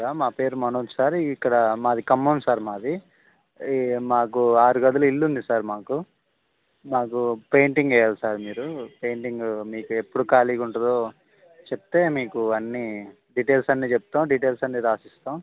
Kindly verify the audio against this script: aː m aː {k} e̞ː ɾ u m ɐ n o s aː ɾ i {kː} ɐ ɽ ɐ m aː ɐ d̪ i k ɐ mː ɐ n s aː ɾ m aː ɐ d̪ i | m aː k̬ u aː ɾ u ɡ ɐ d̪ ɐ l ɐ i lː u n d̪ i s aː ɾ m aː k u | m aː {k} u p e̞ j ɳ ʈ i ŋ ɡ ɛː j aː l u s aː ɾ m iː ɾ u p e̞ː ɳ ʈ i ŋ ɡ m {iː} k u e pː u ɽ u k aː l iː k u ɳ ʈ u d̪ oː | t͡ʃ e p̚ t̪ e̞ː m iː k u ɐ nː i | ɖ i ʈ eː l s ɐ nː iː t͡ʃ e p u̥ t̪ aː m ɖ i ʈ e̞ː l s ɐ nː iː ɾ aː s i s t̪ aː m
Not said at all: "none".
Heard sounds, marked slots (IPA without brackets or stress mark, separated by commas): p, kː, k, iː